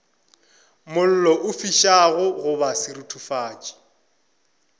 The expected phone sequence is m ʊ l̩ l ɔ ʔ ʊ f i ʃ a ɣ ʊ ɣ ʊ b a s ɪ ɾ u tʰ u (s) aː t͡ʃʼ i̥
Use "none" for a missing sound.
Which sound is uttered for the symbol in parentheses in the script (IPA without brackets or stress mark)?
f